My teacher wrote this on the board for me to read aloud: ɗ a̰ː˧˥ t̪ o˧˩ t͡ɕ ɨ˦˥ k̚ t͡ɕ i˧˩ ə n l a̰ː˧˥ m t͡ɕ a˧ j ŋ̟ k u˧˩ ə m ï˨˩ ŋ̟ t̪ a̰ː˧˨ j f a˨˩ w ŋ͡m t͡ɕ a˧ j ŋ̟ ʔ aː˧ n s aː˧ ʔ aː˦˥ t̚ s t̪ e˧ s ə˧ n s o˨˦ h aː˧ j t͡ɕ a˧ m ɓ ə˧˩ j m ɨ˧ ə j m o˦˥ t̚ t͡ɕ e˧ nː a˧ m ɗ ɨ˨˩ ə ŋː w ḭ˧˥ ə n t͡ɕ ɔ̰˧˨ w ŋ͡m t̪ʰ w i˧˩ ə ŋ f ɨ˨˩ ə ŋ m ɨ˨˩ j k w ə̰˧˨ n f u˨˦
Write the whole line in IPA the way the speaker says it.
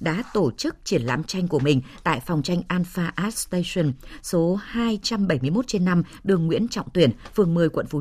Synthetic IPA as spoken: ɗ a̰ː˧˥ t̪ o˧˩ t͡ɕ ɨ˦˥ k̚ t͡ɕ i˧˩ ə n l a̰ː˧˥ m t͡ɕ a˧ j ŋ̟ k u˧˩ ə m ï˨˩ ŋ̟ t̪ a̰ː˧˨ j f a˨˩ w ŋ͡m t͡ɕ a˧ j ŋ̟ ʔ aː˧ n f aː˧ ʔ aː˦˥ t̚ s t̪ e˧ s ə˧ n s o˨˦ h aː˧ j t͡ɕ a˧ m ɓ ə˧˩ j m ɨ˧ ə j m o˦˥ t̚ t͡ɕ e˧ nː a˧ m ɗ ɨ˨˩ ə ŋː w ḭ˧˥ ə n t͡ɕ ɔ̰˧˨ w ŋ͡m t̪ w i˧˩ ə n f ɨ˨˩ ə ŋ m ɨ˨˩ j k w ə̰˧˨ n f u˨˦